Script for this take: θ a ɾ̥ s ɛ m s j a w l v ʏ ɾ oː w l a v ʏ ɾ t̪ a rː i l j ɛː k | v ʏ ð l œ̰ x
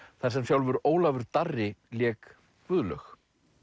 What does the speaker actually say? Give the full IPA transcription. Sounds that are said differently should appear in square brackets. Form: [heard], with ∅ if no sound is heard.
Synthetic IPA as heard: θ a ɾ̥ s ɛ m s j a w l v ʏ ɾ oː w l a v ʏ ɾ t̪ a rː [ɪ] l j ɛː k | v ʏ ð l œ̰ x